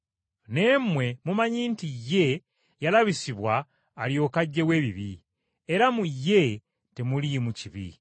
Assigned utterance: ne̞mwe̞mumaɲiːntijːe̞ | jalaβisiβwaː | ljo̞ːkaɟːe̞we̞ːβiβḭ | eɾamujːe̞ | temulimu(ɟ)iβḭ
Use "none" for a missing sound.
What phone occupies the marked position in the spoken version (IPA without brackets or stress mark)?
c